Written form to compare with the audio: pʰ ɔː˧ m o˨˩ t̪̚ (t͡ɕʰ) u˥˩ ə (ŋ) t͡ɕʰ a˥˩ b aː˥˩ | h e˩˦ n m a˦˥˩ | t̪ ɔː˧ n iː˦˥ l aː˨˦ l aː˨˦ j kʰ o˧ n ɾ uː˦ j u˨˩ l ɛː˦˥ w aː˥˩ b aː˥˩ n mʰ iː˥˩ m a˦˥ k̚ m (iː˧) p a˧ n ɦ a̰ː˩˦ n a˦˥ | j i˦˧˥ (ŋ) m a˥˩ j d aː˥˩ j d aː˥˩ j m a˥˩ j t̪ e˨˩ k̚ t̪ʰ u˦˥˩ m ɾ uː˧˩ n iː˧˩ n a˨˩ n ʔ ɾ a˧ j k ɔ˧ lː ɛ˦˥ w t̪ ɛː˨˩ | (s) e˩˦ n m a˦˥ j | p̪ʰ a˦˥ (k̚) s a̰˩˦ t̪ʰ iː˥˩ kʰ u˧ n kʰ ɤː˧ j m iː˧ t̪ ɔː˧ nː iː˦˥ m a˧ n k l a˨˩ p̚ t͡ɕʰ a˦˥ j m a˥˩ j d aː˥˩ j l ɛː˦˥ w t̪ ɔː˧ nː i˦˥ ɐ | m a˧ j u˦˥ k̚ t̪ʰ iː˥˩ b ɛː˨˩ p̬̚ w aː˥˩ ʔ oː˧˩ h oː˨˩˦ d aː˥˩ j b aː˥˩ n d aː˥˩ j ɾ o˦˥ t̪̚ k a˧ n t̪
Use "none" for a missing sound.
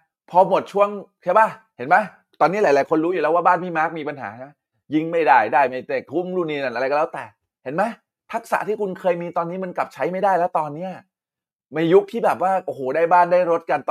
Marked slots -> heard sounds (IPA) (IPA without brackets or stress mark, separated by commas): t͡ɕʰ, ŋ, iː˧, ŋ, h, k̚